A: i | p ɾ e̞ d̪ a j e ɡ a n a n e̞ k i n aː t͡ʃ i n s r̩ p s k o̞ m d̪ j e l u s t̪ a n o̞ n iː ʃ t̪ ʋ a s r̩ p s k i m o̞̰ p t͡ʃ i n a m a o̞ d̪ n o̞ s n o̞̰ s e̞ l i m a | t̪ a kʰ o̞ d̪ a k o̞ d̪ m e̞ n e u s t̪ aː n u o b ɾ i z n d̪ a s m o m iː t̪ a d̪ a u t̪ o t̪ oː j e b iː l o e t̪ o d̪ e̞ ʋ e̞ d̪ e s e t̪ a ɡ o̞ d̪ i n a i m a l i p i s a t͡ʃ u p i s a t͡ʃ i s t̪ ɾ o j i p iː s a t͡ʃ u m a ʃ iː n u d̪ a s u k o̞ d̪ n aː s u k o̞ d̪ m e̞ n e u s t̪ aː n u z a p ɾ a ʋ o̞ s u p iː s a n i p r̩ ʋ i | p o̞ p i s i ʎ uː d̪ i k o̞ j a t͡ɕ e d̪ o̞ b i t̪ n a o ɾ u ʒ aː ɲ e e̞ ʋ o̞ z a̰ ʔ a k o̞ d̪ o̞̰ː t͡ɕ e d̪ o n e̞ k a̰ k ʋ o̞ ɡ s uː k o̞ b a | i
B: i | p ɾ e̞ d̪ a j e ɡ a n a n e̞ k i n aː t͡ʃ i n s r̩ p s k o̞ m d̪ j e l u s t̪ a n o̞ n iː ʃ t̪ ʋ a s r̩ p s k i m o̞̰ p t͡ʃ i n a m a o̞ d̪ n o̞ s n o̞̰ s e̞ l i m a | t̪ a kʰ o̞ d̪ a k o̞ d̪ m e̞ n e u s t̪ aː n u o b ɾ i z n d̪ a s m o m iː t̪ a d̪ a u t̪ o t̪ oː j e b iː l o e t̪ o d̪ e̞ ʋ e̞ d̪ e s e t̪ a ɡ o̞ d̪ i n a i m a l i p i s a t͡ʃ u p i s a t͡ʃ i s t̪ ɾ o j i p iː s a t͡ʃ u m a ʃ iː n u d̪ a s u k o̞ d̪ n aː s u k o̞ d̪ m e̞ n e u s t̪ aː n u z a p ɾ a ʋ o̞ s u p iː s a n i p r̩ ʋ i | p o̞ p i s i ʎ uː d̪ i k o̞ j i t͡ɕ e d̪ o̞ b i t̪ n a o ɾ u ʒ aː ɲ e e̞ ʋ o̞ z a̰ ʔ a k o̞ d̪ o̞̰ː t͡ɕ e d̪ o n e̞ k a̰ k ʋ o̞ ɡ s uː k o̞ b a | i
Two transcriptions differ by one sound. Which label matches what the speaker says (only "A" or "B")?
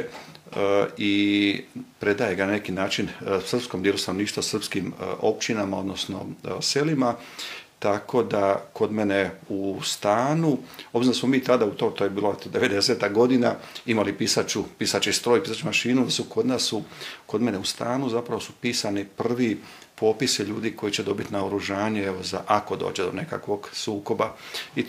B